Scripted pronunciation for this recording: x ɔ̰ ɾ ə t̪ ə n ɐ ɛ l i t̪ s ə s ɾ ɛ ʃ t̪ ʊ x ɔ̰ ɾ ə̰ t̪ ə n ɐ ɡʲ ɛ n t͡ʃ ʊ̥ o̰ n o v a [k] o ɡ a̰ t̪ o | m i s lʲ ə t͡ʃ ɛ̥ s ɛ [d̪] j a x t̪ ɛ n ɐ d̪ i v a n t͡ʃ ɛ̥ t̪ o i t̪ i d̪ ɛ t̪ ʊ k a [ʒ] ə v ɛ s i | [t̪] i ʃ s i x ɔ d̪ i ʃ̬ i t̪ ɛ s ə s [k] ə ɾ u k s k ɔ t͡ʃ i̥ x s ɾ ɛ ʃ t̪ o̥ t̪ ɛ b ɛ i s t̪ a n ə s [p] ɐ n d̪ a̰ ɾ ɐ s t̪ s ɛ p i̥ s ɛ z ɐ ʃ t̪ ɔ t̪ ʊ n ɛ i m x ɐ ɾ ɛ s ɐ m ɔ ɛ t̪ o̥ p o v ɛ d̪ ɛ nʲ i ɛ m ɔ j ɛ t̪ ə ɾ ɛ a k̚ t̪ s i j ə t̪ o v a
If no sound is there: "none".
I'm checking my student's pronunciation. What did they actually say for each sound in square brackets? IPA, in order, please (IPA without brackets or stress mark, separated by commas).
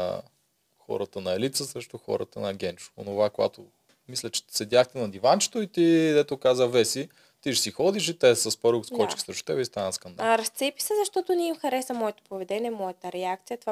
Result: k, d̪, z, t̪, p, k